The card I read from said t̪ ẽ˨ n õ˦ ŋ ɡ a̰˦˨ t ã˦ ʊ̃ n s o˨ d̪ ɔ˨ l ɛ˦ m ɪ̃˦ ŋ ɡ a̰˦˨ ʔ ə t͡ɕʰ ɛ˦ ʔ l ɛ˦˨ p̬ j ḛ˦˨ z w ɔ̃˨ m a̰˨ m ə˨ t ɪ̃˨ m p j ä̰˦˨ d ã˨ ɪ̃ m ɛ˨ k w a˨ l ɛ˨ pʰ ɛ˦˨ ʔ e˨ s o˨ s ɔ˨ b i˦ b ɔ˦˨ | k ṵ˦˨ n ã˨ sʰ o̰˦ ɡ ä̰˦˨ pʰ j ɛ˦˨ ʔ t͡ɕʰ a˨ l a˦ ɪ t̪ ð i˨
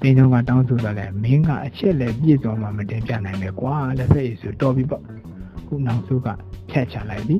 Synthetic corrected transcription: t̪ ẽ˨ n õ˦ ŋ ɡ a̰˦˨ t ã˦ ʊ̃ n s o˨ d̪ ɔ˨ l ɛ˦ m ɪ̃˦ ŋ ɡ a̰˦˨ ʔ ə t͡ɕʰ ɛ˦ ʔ l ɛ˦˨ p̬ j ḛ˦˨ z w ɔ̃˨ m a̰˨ m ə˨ t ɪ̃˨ m p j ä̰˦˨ n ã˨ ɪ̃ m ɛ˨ k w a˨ l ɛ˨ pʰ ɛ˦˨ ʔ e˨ s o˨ t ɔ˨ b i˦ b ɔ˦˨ | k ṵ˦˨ n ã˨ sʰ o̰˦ ɡ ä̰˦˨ pʰ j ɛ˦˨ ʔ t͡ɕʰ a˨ l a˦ ɪ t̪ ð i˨